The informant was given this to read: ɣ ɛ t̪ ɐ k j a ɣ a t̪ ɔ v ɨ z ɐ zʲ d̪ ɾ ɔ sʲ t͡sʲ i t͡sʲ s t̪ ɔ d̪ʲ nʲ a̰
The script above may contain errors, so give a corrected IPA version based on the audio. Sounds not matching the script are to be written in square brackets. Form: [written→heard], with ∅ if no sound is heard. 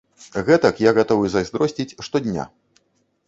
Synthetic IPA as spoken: ɣ ɛ t̪ ɐ k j a ɣ a t̪ ɔ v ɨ z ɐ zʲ d̪ ɾ ɔ sʲ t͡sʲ i t͡sʲ [s→ʂ] t̪ ɔ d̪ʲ nʲ a̰